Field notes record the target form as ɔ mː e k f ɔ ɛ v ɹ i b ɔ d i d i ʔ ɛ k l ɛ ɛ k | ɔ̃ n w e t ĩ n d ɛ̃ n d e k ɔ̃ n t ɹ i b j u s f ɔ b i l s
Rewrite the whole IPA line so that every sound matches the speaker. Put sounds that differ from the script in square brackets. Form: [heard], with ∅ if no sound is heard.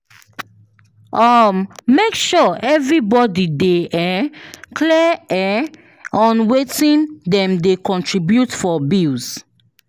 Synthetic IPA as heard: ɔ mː e k [ʃ] ɔ ɛ v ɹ i b ɔ d i d [e] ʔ ɛ k l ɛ ɛ [∅] | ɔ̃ n w e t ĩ n d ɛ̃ [m] d e k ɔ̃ n t ɹ i b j u [t] f ɔ b i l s